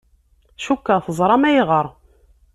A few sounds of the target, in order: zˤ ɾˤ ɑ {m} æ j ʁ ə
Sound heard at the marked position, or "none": m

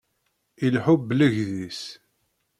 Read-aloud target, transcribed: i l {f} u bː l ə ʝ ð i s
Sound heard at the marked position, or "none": ħ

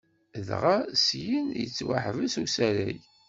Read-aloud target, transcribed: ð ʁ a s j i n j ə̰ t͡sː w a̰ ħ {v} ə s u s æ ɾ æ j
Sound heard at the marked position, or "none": v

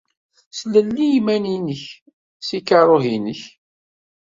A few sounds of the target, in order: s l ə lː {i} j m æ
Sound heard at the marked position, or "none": i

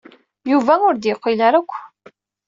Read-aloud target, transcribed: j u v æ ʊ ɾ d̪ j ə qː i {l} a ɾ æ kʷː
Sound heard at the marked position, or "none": l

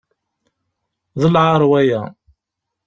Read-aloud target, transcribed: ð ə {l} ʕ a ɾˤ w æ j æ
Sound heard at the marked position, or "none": l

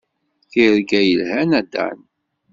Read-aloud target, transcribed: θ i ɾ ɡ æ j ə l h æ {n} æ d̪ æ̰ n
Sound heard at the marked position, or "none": n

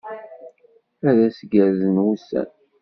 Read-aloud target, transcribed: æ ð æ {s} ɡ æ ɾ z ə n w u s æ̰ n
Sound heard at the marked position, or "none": s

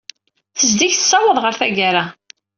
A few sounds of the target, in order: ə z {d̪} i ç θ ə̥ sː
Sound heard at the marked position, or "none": d̪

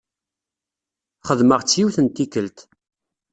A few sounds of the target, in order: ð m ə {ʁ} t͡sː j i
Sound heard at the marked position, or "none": ʁ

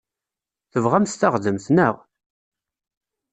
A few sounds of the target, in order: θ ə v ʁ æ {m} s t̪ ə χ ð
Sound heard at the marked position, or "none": m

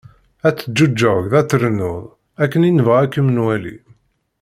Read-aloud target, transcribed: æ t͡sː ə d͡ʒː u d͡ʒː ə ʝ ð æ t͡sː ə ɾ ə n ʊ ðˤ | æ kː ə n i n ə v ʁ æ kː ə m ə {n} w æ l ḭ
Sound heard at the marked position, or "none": n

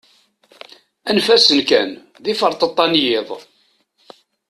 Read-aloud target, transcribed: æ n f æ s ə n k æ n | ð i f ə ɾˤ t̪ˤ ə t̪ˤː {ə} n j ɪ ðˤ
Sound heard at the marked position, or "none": ɑ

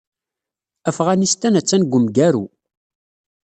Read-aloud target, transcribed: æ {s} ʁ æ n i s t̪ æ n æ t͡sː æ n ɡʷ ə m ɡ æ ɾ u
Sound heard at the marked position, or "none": f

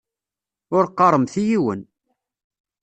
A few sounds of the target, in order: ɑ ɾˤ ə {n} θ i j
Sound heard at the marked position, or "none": m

